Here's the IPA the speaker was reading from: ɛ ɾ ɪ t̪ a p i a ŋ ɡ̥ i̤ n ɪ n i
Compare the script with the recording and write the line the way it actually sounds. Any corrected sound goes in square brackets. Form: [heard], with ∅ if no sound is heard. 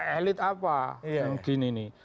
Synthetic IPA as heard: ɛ [l] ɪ t̪ a p [a] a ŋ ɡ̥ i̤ n [i] n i